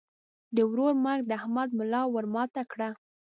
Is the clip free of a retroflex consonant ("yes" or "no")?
no